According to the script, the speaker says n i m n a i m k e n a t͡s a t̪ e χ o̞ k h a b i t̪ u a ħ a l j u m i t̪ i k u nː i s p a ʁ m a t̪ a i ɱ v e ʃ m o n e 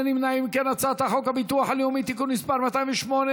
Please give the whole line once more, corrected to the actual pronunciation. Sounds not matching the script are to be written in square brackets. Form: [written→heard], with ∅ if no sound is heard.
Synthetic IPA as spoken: n i m n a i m k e n a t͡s a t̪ [e→a] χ o̞ k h a b i t̪ u a ħ a l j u m i t̪ i k u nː i s p a ʁ m a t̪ a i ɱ v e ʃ m o n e